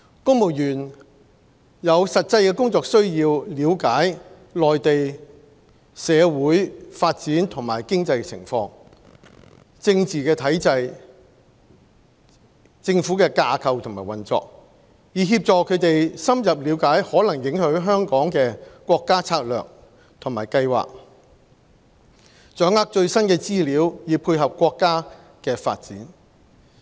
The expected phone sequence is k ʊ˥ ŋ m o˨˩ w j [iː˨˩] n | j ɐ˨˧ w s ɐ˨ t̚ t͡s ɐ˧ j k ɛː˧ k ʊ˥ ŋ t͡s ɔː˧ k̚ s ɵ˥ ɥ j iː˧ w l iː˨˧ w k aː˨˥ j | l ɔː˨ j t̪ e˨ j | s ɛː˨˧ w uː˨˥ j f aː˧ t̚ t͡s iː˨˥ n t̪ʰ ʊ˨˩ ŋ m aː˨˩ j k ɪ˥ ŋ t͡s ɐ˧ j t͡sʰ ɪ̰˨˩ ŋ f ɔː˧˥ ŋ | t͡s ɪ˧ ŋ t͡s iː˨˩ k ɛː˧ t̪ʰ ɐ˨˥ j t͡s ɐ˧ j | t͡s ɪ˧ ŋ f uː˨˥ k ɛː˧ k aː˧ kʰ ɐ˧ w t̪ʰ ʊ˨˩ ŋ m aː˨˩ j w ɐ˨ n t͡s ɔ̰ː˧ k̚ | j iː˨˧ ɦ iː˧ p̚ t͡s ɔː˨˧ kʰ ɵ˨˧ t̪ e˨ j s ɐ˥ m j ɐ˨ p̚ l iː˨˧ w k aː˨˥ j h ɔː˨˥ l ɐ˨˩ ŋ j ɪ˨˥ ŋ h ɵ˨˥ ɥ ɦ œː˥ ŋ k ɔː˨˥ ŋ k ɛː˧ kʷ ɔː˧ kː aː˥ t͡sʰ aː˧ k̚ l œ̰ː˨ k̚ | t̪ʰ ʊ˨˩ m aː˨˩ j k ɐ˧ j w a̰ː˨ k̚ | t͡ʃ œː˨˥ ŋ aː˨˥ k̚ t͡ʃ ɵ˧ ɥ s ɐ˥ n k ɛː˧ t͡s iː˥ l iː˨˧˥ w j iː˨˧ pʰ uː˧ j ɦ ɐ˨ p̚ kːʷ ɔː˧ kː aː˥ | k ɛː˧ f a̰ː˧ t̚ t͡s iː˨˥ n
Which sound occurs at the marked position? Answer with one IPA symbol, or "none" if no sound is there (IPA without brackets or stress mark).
yː˨˩